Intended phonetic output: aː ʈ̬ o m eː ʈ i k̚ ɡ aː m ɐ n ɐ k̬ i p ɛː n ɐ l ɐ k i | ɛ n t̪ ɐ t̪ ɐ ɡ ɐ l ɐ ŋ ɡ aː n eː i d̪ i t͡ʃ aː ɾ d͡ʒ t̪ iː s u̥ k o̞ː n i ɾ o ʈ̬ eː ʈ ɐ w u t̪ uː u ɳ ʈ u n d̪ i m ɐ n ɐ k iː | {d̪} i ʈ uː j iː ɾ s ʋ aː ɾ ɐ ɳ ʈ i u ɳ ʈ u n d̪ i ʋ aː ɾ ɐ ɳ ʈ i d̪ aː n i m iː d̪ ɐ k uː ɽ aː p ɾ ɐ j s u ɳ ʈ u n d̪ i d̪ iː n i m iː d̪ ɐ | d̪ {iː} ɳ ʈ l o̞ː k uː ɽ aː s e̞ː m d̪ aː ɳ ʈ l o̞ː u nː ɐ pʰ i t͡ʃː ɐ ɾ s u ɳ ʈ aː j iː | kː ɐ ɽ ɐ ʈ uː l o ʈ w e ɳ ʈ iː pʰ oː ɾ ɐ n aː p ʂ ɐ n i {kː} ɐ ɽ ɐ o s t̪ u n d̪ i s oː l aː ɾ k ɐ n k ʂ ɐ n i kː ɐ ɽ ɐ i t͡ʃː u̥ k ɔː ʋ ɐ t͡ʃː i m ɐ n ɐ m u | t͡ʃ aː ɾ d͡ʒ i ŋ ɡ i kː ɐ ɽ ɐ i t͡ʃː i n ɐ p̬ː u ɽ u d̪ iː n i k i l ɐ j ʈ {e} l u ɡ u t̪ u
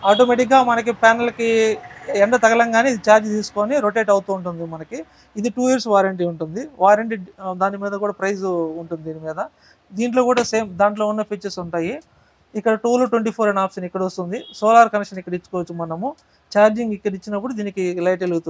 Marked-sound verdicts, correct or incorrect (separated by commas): correct, correct, correct, correct